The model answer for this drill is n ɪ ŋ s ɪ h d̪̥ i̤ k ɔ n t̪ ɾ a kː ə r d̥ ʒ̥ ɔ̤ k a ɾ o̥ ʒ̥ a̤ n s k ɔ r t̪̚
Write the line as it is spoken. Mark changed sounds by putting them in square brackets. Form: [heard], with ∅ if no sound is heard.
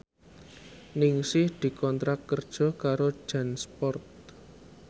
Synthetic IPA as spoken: n ɪ ŋ s ɪ h d̪̥ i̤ k ɔ n t̪ ɾ a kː ə r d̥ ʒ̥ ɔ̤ k a ɾ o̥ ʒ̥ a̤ n s [p] ɔ r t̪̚

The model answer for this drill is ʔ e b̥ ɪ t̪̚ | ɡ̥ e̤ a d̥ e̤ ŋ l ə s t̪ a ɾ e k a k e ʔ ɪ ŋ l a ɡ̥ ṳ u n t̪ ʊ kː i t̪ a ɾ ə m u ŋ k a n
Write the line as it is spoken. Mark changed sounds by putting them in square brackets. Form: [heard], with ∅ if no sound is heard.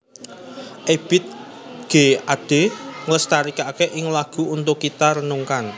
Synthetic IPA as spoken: ʔ e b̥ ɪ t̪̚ | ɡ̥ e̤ a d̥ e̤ ŋ l ə s t̪ a ɾ [i] k a k e ʔ ɪ ŋ l a ɡ̥ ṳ u n t̪ ʊ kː i t̪ a ɾ ə [n] u ŋ k a n

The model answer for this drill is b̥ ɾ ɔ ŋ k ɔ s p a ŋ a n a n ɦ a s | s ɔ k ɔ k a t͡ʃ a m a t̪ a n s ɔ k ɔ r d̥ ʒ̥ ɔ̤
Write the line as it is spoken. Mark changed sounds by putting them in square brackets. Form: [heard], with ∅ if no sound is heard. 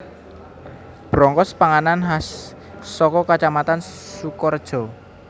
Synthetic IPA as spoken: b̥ ɾ ɔ ŋ k ɔ s p a ŋ a n a n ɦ a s | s ɔ k ɔ k a t͡ʃ a m a t̪ a n s [u] k ɔ r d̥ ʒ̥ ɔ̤

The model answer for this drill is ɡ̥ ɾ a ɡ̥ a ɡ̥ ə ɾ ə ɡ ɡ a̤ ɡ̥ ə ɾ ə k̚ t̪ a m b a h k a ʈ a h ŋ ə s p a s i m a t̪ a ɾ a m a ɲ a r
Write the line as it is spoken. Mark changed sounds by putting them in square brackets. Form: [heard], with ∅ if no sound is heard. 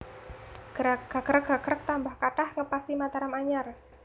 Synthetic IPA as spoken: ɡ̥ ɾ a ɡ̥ a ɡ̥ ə ɾ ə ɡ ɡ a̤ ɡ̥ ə ɾ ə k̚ t̪ a m b a h k a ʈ a h ŋ ə [∅] p a s i m a t̪ a ɾ a m a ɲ a r

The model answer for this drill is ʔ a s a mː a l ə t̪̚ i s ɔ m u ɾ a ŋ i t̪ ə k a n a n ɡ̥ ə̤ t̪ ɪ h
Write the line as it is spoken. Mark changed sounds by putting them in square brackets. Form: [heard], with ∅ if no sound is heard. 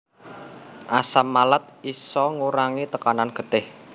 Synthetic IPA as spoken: ʔ a s a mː a l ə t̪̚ i s ɔ [ŋ] u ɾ a ŋ i t̪ ə k a n a n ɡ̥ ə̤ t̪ ɪ h

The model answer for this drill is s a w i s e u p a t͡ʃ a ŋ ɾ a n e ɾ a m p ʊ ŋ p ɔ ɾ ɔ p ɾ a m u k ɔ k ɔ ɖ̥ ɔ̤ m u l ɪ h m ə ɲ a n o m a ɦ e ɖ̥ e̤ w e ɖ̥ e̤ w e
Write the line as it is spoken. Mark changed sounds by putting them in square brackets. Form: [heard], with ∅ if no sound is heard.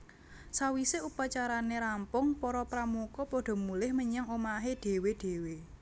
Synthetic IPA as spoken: s a w i s e u p a t͡ʃ a [∅] ɾ a n e ɾ a m p ʊ ŋ p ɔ ɾ ɔ p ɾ a m u k ɔ [p] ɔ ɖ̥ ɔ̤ m u l ɪ h m ə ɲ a [ŋ] o m a ɦ e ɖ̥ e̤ w e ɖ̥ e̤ w e

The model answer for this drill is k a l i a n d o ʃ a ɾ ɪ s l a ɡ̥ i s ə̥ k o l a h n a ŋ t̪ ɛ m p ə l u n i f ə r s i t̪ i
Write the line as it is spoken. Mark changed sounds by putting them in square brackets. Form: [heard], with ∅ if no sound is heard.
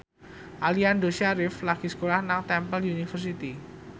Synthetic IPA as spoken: [ʔ] a l i a n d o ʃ a ɾ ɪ [f] l a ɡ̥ i s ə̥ k o l a h n a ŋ t̪ ɛ m p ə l u n i f ə r s i t̪ i

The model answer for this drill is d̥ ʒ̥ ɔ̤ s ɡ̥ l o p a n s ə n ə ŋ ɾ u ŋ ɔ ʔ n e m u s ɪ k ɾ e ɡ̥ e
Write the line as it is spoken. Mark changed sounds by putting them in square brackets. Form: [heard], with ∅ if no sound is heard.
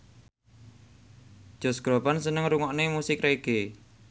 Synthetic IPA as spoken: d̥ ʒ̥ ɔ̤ s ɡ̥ [ɾ] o p a n s ə n ə ŋ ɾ u ŋ ɔ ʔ n e m u s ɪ k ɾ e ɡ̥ e

